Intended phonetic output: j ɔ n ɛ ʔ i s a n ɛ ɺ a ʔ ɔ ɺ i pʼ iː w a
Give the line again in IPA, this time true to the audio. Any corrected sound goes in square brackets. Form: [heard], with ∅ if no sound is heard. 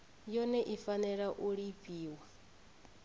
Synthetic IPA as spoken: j ɔ n ɛ ʔ i [f] a n ɛ ɺ a ʔ [u] ɺ i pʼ iː w a

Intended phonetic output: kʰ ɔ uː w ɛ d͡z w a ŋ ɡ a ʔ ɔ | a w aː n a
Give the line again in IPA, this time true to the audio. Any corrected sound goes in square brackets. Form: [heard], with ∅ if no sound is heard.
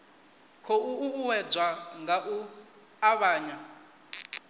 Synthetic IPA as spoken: kʰ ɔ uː w ɛ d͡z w a ŋ ɡ a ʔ [u] | a [β] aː [ɲ] a

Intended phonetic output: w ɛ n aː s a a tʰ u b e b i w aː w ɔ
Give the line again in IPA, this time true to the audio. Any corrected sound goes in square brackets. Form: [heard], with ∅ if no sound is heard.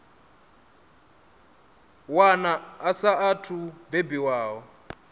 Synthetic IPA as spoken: w [a] n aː s a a tʰ u b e b i w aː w ɔ

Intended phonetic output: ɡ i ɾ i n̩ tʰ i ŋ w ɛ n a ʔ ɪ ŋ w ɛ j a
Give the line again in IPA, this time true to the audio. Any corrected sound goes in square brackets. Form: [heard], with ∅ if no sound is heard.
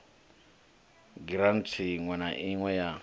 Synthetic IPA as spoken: ɡ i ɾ [a] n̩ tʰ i ŋ w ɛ n a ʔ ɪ ŋ w ɛ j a

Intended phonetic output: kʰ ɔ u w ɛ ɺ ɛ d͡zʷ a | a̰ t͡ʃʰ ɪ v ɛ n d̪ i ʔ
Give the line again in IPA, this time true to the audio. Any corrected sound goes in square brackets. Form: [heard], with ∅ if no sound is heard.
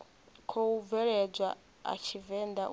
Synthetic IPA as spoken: kʰ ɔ u [v] ɛ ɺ ɛ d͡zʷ a | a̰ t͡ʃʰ [i] v ɛ n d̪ [a] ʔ

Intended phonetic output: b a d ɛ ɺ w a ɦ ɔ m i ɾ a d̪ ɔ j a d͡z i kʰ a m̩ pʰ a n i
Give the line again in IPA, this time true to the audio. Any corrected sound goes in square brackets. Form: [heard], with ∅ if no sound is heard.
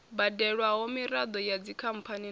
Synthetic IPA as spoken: b a d ɛ ɺ w a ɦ ɔ m i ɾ a d̪ ɔ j a d͡z i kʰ a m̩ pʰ a n i

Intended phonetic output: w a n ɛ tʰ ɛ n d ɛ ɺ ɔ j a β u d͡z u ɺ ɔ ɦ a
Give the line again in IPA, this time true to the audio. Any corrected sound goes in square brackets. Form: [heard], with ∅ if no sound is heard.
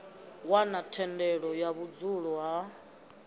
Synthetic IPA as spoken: w a n [a] tʰ ɛ n d ɛ ɺ ɔ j a β u d͡z u ɺ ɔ ɦ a

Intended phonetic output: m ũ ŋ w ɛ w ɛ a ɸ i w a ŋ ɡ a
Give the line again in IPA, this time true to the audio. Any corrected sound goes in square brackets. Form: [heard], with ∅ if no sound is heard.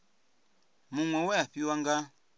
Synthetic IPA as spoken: m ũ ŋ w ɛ w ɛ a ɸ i w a ŋ ɡ a

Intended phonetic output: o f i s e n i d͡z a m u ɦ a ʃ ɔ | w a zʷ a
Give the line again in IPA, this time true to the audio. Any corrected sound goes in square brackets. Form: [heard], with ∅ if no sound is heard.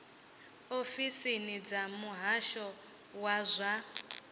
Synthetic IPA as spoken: o f i s [i] n i d͡z a m u ɦ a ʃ ɔ | w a zʷ a

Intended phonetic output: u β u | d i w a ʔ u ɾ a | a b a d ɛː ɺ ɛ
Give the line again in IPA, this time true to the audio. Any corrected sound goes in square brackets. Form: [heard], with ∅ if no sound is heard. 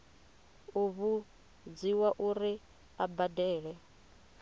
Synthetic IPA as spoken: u β u | [d͡z] i w a ʔ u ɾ [i] | a b a d ɛː ɺ ɛ

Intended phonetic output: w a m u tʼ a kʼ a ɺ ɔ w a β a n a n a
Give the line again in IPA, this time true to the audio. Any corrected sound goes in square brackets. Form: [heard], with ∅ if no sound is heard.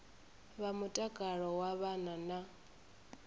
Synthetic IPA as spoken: [β] a m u tʼ a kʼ a ɺ ɔ w a β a n a n a

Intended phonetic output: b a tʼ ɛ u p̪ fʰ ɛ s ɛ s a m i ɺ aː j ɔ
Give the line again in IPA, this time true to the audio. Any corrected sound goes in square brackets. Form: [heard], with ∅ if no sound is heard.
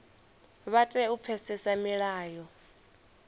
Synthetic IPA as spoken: [β] a tʼ ɛ u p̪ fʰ ɛ s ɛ s a m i ɺ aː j ɔ

